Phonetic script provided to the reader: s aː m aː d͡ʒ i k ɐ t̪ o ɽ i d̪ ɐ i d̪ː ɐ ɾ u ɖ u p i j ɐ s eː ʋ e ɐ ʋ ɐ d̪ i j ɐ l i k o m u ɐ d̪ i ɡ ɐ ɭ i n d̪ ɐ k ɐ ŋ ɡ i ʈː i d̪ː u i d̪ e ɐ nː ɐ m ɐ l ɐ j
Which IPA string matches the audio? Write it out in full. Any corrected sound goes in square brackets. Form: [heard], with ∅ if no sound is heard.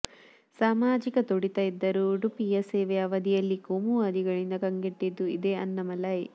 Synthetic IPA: s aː m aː d͡ʒ i k ɐ t̪ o ɽ i [t̪] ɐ i d̪ː ɐ ɾ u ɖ u p i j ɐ s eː ʋ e ɐ ʋ ɐ d̪ i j ɐ [lː] i k o m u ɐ d̪ i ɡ ɐ ɭ i n d̪ ɐ k ɐ ŋ ɡ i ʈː i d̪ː u i d̪ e ɐ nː ɐ m ɐ l ɐ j